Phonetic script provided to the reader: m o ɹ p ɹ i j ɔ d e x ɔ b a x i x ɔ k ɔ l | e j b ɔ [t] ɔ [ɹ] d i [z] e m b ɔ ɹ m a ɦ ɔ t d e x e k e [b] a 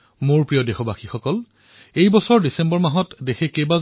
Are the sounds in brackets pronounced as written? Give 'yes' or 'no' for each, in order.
no, yes, no, yes

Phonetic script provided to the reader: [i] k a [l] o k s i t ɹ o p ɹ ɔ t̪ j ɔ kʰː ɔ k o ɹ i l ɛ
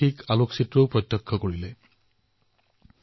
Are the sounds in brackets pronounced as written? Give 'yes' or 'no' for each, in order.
yes, yes

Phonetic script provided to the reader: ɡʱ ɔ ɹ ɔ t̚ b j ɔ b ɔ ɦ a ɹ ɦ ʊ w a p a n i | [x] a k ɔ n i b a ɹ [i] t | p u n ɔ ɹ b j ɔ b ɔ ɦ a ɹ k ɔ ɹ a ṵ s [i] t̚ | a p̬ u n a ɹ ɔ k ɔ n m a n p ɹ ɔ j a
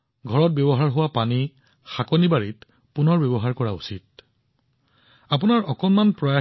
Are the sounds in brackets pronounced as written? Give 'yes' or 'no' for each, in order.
yes, yes, yes

